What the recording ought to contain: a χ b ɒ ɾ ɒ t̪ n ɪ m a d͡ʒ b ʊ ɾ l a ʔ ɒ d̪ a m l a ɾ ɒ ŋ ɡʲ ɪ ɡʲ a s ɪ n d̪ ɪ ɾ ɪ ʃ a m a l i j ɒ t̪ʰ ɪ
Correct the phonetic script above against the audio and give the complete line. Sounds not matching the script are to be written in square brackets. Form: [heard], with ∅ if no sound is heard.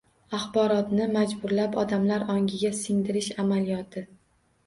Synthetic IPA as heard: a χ b ɒ ɾ ɒ t̪ n ɪ m a d͡ʒ b ʊ ɾ l a [p] ɒ d̪ a m l a ɾ ɒ ŋ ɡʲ ɪ ɡʲ a s ɪ [ŋ] d̪ ɪ ɾ ɪ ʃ a m a l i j ɒ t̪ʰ ɪ